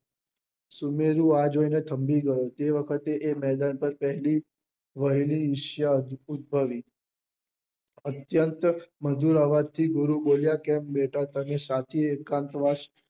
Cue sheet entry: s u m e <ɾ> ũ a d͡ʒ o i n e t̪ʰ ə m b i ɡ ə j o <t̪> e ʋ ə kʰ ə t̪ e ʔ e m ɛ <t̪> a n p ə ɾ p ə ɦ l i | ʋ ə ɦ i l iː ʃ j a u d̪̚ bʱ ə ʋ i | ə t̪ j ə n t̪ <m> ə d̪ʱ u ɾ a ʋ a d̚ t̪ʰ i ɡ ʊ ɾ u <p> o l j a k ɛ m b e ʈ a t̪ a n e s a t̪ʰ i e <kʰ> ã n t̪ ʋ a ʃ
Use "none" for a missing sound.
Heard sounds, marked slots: ɾ, t̪, d̪, m, b, k

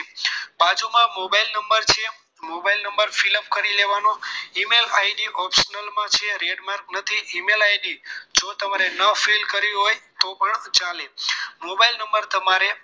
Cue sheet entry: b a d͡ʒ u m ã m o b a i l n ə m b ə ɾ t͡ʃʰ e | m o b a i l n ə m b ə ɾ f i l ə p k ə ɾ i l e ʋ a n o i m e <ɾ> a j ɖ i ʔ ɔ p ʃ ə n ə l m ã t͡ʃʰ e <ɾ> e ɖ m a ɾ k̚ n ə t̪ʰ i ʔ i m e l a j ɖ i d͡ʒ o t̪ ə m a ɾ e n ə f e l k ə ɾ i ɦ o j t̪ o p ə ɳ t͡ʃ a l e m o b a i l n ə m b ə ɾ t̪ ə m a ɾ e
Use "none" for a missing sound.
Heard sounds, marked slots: l, ɾ

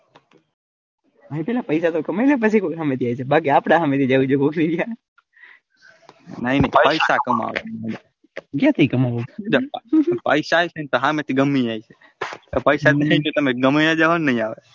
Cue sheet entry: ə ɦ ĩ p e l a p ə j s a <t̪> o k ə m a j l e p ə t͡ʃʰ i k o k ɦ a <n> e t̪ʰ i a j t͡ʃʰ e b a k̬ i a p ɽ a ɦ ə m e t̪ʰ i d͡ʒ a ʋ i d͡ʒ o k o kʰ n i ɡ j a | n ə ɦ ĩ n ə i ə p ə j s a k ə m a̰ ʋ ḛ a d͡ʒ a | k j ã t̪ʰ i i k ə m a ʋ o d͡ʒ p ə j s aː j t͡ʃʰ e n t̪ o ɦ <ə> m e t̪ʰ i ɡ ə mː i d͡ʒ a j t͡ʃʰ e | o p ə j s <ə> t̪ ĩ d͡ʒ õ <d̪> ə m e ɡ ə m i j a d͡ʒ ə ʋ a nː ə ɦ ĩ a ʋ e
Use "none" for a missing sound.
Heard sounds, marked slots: t̪, m, a, a, t̪

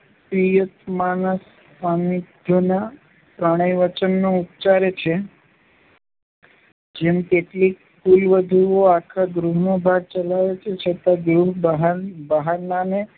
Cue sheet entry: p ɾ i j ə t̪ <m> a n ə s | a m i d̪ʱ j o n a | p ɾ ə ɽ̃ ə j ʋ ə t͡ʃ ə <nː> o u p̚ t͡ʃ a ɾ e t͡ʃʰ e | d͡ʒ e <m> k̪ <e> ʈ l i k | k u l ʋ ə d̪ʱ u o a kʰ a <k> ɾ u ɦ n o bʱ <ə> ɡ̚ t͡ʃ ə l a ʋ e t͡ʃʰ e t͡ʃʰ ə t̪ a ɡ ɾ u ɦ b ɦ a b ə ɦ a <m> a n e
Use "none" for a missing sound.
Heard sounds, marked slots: m, nː, m, e, ɡ, a, n

